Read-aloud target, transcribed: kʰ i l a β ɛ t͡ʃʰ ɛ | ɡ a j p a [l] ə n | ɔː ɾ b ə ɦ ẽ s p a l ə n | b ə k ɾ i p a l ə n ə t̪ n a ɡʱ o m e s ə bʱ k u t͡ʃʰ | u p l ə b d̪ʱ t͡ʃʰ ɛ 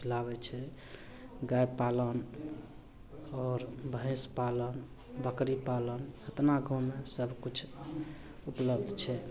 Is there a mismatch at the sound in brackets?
no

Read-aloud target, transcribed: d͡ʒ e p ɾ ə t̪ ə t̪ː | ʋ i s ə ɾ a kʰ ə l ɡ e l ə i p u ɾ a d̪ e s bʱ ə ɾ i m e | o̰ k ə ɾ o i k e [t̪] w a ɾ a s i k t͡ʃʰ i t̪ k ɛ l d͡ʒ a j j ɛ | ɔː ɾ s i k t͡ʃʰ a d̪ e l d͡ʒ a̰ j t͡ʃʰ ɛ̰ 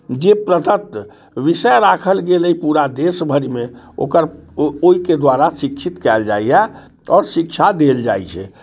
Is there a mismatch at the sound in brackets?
yes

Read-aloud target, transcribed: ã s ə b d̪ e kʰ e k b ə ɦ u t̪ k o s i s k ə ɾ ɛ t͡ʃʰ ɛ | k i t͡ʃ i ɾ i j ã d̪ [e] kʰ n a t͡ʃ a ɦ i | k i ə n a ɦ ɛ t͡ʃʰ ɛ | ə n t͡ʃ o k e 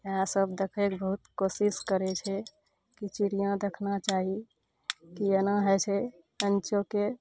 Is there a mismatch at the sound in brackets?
no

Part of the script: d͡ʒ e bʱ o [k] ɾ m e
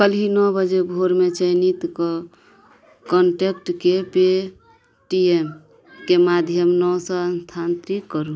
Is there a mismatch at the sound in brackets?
yes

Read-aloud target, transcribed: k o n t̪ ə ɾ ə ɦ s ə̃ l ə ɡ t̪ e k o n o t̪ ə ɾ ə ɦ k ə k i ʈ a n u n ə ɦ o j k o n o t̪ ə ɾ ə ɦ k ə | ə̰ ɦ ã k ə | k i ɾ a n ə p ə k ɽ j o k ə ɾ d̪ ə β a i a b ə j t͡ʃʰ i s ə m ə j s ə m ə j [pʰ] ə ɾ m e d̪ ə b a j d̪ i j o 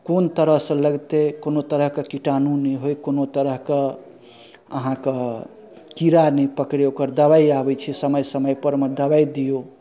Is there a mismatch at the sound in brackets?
yes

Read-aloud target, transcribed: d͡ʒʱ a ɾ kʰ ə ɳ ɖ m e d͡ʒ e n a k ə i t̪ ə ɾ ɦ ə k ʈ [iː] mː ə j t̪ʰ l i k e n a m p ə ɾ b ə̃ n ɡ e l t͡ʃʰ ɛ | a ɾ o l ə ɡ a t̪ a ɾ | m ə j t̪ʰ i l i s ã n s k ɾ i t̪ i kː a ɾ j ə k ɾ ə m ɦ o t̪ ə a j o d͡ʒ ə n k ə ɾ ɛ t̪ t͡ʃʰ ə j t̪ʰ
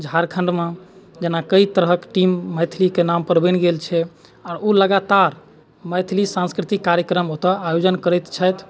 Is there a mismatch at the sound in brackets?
yes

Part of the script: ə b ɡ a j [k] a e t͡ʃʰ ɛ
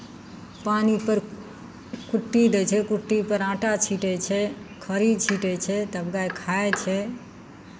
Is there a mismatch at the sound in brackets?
yes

